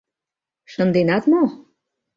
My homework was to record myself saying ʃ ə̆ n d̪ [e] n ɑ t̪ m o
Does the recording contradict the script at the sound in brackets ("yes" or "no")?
no